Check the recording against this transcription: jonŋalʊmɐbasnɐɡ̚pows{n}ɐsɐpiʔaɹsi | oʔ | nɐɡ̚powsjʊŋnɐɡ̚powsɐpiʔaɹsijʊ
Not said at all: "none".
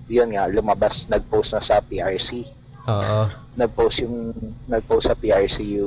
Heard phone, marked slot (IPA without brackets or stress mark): n